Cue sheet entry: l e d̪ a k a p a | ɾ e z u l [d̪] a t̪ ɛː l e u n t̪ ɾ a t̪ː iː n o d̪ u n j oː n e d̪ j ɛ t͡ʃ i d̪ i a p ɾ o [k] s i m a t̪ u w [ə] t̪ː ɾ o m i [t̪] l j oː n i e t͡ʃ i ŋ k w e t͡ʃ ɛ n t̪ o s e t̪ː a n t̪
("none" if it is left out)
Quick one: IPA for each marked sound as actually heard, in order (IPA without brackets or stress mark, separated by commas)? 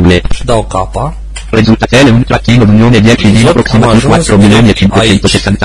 t̪, k, a, none